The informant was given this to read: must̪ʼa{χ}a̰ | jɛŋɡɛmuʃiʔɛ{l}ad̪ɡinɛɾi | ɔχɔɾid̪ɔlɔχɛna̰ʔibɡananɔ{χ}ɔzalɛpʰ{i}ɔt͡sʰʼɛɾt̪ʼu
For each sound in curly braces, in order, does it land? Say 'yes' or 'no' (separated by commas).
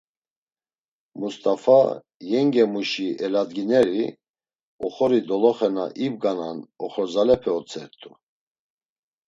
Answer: no, yes, yes, no